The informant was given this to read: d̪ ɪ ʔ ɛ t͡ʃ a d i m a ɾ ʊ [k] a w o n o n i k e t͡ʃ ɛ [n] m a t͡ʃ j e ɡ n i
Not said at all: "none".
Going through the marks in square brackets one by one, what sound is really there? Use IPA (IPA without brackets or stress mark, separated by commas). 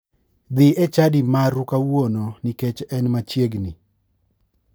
k, n